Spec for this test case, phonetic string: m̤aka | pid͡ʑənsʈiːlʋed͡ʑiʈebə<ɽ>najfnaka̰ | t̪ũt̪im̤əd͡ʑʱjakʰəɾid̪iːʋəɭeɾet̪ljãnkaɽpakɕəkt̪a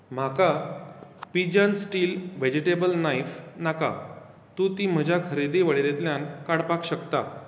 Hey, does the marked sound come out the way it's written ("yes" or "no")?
no